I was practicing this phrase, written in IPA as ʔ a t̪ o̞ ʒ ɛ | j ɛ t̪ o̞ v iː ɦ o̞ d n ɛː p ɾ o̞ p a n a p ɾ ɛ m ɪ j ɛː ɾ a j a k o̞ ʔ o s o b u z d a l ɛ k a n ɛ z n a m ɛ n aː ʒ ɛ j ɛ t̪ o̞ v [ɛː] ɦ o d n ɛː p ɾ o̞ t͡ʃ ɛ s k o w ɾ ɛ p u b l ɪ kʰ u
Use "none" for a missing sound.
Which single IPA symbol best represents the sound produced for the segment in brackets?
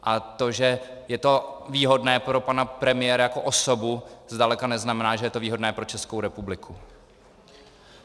iː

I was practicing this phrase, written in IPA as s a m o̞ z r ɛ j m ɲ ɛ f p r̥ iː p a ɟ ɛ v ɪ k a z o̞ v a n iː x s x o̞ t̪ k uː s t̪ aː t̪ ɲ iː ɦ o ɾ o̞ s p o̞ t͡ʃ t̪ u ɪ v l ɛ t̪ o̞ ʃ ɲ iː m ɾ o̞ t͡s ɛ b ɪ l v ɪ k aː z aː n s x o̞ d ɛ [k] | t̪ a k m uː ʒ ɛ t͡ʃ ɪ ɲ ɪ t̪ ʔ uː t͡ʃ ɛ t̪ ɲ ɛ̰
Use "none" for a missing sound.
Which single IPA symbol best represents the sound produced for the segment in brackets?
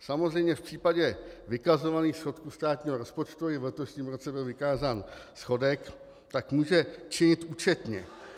k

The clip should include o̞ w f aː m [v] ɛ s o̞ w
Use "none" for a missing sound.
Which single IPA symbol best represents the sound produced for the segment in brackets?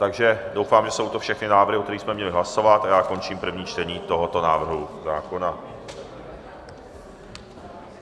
ʒ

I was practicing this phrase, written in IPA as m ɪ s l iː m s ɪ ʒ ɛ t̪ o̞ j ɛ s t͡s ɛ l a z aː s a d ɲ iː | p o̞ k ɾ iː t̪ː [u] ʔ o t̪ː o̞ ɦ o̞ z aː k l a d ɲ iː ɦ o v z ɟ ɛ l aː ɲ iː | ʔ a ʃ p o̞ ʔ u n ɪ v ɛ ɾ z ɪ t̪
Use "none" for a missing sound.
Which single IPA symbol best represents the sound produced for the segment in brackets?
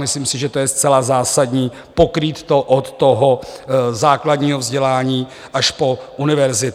o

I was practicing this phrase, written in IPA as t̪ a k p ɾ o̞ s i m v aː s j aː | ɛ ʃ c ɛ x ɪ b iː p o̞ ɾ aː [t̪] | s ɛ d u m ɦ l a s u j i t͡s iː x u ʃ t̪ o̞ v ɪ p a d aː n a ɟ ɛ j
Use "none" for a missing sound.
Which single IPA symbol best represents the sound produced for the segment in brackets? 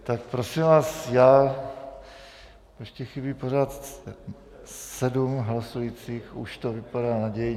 t̪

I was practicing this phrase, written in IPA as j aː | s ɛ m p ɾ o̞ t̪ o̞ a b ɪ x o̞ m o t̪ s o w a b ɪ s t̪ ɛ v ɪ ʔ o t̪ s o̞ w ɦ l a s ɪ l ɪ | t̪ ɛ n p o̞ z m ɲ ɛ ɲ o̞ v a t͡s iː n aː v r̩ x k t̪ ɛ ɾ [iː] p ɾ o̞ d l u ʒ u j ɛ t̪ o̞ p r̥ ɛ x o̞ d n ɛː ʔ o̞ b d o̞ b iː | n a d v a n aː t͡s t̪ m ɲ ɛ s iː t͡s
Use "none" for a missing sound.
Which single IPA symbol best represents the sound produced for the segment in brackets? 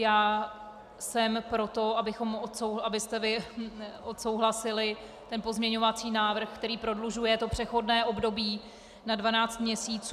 iː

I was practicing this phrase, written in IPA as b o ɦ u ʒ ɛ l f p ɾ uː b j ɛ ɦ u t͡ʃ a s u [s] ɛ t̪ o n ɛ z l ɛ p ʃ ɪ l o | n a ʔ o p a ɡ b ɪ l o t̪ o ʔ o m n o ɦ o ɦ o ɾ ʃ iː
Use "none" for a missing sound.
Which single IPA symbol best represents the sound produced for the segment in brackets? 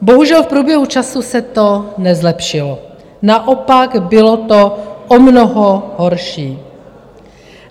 s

